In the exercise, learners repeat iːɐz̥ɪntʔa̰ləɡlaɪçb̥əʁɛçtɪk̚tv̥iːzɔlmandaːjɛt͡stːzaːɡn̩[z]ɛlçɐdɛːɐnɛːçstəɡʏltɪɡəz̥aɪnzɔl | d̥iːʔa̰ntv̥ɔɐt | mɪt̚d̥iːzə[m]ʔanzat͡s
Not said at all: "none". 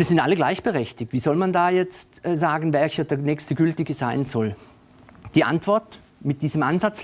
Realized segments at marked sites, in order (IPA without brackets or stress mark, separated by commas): v, m